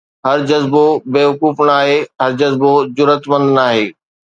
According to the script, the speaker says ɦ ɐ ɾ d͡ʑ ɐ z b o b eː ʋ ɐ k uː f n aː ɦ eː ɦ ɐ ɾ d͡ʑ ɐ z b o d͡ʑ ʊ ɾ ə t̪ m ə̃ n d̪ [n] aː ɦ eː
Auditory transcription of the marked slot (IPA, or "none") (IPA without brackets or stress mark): n